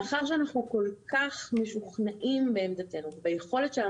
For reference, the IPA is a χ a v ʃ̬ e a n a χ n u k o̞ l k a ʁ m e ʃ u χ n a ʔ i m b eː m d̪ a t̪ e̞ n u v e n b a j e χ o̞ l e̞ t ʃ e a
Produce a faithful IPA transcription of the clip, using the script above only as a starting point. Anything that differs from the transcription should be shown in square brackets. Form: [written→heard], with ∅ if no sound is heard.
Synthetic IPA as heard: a χ a [v→ʁ] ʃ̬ e a n a χ n u k o̞ l k a [ʁ→χ] m e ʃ u χ n a ʔ i m b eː m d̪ a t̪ e̞ n u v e [n→∅] b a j e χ o̞ l e̞ t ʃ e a